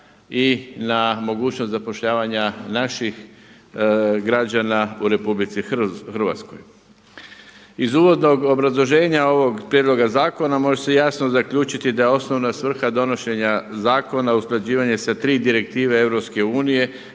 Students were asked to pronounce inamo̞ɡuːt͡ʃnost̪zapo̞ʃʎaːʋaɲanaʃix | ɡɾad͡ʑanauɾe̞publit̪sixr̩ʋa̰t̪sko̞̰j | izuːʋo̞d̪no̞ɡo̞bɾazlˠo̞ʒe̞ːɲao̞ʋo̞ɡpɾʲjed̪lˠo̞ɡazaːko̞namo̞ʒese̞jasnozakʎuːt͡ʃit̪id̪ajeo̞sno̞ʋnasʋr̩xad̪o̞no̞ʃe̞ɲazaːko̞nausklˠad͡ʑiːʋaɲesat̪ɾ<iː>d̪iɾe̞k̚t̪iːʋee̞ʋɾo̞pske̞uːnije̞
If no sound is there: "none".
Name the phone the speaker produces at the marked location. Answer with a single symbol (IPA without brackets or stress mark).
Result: iː